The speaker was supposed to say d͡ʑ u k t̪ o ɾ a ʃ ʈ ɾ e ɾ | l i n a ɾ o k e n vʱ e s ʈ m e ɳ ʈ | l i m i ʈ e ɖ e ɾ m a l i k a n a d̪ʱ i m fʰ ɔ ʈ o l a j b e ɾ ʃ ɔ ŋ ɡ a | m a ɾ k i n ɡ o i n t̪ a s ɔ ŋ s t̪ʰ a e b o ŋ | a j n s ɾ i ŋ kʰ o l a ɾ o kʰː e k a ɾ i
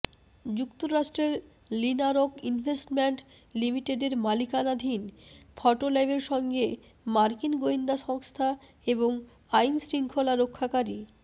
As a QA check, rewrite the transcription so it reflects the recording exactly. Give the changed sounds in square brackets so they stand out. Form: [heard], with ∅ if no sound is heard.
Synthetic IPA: d͡ʑ u k t̪ o ɾ a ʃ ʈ ɾ e ɾ | l i n a ɾ o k [i] n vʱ e s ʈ m e ɳ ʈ | l i m i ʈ e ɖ e ɾ m a l i k a n a d̪ʱ i [n] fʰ ɔ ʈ o l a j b e ɾ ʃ ɔ ŋ ɡ [e] | m a ɾ k i n ɡ o i n [d̪] a [ʃ] ɔ ŋ s t̪ʰ a e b o ŋ | a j n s ɾ i ŋ kʰ o l a ɾ o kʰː [a] k a ɾ i